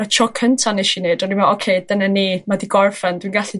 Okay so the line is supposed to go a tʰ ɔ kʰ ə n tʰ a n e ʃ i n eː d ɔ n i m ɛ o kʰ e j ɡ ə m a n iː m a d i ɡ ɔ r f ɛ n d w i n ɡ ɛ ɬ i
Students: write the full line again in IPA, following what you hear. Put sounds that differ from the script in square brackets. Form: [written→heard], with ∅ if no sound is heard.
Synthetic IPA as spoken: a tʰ ɔ kʰ ə n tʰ a n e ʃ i n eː d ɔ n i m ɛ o kʰ e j [ɡ→d] ə [m→n] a n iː m a d i ɡ ɔ r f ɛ n d w i n ɡ [ɛ→a] ɬ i

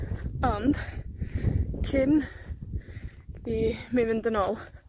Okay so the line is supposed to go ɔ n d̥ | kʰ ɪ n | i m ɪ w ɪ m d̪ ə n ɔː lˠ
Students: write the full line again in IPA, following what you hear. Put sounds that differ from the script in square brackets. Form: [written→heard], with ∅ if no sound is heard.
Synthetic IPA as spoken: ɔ n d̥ | kʰ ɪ n | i m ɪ [w→v] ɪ [m→n] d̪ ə n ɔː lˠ

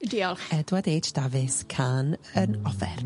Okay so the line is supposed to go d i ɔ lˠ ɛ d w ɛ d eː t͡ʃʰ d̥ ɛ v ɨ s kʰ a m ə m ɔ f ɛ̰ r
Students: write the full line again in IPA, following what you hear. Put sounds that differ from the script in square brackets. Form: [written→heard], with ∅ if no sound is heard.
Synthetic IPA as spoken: d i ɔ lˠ ɛ d w [ɛ→a] d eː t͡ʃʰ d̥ [ɛ→a] v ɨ s kʰ a [m→n] ə [m→n] ɔ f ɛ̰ r

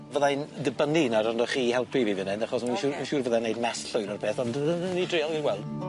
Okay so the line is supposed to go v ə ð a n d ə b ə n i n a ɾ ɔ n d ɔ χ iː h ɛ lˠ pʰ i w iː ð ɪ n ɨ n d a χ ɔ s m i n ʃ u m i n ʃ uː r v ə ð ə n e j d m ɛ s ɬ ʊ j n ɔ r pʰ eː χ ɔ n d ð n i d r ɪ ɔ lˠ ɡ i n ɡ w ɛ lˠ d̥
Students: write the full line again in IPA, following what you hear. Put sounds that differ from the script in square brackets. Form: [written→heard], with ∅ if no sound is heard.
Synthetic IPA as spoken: v ə ð a n d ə b ə n i n a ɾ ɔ n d ɔ χ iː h ɛ lˠ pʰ i [w→v] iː [ð→v] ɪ n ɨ n d a χ ɔ s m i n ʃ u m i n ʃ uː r v ə ð [ə→a] n e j d m ɛ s ɬ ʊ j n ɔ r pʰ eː [χ→θ] ɔ n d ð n i d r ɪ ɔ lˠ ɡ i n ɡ w ɛ lˠ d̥

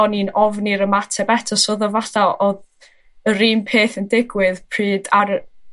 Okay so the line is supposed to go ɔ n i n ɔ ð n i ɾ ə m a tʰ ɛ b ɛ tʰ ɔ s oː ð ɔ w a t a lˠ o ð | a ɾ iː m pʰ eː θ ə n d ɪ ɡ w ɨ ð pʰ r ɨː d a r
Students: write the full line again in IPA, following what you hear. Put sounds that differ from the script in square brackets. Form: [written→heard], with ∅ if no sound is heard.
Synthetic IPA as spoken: ɔ n i n ɔ [ð→v] n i ɾ ə m a tʰ ɛ b ɛ tʰ ɔ s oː ð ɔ [w→v] a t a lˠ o ð | [a→ə] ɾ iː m pʰ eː θ ə n d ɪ ɡ w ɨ ð pʰ r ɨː d a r

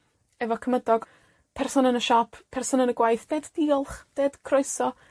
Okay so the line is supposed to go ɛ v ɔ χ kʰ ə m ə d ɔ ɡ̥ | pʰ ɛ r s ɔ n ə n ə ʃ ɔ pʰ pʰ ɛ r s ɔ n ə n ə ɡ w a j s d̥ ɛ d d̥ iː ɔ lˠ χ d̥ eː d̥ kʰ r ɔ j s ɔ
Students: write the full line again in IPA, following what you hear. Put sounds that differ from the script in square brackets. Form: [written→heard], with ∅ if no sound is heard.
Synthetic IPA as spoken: ɛ v ɔ [χ→∅] kʰ ə m ə d ɔ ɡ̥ | pʰ ɛ r s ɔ n ə n ə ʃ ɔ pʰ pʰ ɛ r s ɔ n ə n ə ɡ w a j [s→θ] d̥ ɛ d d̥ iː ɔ lˠ χ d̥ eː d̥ kʰ r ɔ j s ɔ

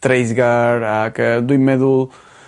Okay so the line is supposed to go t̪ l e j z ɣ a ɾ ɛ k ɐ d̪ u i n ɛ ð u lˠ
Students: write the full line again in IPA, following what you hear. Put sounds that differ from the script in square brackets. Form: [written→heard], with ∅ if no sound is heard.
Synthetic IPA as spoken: t̪ [l→ɾ] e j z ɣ a ɾ [ɛ→a] k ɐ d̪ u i [n→m] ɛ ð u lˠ

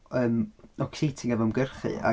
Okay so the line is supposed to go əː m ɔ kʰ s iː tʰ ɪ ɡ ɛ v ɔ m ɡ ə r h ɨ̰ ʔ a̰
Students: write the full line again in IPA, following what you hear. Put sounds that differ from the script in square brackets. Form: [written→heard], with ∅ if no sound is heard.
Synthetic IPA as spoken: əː m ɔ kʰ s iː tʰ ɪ [ɡ→ŋ] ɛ v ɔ m ɡ ə r [h→χ] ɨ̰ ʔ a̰

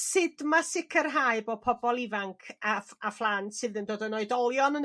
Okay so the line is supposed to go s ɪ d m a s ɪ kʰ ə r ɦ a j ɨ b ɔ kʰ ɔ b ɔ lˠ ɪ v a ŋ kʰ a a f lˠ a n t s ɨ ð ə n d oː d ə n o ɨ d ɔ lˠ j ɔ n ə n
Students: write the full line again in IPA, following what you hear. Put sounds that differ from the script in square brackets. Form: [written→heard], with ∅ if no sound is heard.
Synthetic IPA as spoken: s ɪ d m a s ɪ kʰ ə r ɦ a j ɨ b ɔ [kʰ→pʰ] ɔ b ɔ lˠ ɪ v a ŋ kʰ a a f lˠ a n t s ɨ ð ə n d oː d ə n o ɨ d ɔ lˠ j ɔ n ə n

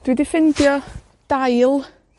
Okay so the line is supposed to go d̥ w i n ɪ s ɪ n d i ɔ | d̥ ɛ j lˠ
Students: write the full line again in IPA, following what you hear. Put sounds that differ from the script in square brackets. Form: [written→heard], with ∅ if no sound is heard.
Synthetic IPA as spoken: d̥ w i [n→d] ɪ [s→f] ɪ n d [i→j] ɔ | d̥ [ɛ→a] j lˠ

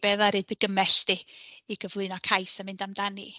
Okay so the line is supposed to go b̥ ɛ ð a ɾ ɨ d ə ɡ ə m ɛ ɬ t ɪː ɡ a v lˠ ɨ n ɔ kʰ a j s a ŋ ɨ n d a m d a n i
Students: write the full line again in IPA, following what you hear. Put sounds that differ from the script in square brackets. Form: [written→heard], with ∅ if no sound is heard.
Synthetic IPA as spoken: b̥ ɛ ð a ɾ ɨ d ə ɡ ə m ɛ ɬ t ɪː ɡ [a→ə] v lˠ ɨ n ɔ kʰ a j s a [ŋ→m] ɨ n d a m d a n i

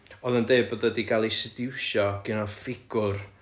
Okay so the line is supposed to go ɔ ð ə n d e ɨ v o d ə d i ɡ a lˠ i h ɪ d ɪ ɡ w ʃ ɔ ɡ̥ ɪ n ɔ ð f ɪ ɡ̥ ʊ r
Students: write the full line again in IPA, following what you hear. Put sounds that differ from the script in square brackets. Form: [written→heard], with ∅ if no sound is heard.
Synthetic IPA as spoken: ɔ ð ə n d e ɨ [v→b] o d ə d i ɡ a lˠ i [h→s] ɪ d ɪ [ɡ→∅] w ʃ ɔ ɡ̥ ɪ n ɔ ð f ɪ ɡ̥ ʊ r

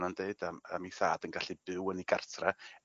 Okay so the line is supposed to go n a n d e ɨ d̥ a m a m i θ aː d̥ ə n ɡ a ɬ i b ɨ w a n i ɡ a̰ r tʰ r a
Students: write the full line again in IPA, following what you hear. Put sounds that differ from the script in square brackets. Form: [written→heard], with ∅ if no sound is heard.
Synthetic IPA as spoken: n a n d e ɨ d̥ a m a m i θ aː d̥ ə n ɡ a ɬ i b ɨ w [a→ə] n i ɡ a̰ r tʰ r a

